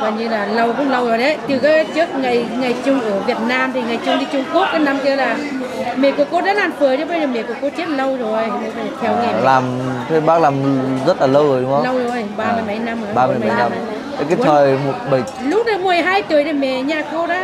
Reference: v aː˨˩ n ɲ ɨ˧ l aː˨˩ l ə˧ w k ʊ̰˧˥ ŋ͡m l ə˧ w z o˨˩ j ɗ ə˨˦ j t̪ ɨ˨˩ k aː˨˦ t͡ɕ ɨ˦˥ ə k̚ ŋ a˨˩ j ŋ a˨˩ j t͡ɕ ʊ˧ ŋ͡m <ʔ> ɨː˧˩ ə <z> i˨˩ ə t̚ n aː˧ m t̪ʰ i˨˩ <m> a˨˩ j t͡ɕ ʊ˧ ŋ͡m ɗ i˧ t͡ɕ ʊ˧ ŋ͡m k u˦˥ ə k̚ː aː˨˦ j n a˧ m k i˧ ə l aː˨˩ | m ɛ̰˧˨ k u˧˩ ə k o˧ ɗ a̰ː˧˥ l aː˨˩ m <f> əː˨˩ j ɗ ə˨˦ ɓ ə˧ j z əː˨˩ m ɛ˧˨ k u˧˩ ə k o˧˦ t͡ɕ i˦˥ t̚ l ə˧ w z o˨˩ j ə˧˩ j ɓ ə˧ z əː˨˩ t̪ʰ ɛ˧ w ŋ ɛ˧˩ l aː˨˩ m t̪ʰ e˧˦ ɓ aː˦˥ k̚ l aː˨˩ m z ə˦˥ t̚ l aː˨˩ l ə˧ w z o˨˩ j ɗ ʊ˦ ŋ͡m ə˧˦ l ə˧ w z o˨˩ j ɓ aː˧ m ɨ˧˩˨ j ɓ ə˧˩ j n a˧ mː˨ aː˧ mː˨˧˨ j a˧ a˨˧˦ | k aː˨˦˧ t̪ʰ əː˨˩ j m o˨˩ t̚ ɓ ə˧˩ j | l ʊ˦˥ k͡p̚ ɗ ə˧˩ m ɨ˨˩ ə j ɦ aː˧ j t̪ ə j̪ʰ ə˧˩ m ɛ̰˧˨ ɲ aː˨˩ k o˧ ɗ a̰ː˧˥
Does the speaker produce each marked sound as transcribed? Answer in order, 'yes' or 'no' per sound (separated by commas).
yes, no, no, yes